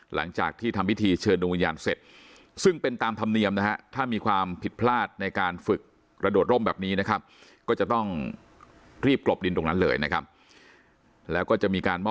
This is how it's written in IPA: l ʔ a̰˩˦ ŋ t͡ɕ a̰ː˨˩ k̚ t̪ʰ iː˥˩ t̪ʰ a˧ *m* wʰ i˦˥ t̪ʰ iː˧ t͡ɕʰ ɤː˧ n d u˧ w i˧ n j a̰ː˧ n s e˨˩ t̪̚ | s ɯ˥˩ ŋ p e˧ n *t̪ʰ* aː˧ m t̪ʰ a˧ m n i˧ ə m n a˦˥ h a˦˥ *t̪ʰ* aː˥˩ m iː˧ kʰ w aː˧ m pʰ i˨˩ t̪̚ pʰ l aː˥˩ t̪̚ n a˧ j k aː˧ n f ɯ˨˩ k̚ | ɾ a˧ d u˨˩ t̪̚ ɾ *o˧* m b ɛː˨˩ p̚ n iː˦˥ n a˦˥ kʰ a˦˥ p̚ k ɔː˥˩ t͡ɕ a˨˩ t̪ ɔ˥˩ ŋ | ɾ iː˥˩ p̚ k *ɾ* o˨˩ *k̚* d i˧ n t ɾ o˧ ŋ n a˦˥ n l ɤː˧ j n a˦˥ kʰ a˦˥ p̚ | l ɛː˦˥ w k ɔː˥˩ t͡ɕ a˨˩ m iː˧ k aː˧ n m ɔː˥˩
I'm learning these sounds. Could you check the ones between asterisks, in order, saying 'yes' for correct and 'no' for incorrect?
yes, no, yes, no, no, no

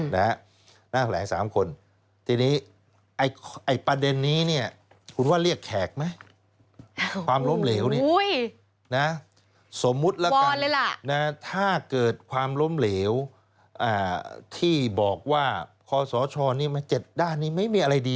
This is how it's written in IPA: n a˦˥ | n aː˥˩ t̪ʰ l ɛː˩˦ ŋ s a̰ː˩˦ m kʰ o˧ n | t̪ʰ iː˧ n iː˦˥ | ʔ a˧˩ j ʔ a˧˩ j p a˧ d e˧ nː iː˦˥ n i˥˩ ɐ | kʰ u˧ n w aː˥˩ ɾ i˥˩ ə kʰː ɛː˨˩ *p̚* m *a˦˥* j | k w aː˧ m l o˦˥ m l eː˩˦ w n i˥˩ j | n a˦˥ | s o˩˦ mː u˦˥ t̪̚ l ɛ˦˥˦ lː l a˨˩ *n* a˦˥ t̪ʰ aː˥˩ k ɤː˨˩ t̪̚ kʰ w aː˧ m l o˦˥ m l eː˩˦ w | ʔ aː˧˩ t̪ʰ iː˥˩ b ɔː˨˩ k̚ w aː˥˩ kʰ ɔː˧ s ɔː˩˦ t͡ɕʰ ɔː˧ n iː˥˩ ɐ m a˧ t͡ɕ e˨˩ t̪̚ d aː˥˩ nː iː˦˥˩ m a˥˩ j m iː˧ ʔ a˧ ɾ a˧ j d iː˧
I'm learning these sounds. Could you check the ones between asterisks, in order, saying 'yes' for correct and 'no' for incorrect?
no, yes, yes

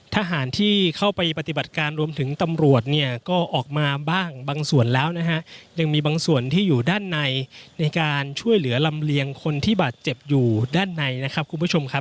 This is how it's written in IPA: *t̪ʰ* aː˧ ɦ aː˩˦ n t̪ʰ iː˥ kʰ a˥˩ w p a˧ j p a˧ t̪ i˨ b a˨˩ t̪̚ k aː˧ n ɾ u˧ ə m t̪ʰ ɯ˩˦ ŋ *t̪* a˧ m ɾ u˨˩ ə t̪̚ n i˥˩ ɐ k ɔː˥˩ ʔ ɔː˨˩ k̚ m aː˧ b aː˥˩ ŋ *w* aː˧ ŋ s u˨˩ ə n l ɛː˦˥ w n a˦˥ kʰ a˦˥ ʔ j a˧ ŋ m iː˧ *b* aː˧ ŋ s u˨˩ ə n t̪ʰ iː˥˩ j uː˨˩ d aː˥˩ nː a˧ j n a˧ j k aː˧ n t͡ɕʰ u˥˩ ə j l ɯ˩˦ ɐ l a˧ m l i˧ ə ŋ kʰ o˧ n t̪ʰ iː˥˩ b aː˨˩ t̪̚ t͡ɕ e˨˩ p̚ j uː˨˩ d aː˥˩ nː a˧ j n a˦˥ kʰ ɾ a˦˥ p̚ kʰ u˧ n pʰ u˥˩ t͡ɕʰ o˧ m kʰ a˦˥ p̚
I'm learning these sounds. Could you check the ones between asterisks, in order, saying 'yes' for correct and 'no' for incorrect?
yes, yes, no, yes

